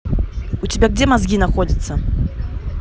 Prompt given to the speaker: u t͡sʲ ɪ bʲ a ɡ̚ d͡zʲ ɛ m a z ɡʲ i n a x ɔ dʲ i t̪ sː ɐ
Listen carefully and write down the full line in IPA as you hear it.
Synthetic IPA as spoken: u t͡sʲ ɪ bʲ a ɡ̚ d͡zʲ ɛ m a z ɡʲ i n a x ɔ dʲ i t̪ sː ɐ